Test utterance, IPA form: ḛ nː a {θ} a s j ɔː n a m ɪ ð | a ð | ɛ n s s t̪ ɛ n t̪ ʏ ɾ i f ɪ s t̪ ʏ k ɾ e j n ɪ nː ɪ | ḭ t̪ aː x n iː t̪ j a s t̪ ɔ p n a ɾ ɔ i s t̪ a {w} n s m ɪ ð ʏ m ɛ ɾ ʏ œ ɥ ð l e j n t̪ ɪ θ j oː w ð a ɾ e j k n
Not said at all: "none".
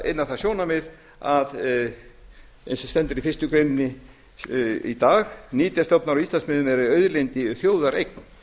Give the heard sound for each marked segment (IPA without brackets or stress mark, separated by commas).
θ, none